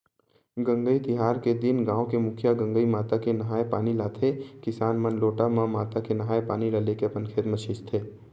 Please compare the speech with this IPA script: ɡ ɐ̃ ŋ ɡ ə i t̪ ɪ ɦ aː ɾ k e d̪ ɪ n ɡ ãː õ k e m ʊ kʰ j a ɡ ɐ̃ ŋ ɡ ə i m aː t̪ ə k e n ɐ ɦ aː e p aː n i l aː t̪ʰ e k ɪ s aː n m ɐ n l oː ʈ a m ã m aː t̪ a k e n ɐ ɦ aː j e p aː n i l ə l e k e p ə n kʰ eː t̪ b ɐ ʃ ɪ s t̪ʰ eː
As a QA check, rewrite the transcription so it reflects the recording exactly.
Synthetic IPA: ɡ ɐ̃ ŋ ɡ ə i t̪ ɪ ɦ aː ɾ k e d̪ ɪ n ɡ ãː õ k e m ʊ kʰ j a ɡ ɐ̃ ŋ ɡ ə i m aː t̪ a k e n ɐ ɦ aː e p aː n i l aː t̪ʰ e k ɪ s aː n m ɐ n l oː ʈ a m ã m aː t̪ a k e n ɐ ɦ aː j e p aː n i l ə l e k e p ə n kʰ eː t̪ m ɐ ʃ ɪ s t̪ʰ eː